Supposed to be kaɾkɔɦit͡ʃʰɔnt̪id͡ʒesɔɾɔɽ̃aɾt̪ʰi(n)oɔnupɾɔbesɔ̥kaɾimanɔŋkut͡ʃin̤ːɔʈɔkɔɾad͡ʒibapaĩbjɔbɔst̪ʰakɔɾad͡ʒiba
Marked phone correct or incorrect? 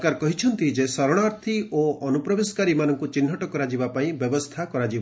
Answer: incorrect